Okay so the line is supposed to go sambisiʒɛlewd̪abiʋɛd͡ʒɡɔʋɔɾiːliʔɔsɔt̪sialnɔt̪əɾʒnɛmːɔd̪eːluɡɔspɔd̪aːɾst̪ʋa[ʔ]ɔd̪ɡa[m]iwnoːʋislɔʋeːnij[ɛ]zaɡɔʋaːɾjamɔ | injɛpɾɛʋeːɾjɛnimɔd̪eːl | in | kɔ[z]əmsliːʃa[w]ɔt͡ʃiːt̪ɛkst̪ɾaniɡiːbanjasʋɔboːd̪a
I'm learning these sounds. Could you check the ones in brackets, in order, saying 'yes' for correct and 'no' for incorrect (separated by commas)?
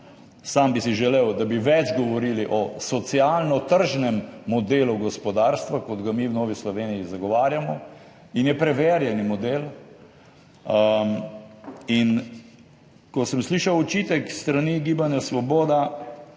no, yes, no, no, yes